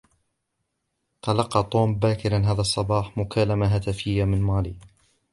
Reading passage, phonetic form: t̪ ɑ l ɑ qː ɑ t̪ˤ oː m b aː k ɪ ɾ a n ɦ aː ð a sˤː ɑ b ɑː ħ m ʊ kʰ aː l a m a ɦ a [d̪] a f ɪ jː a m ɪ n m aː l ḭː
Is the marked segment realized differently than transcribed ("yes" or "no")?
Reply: yes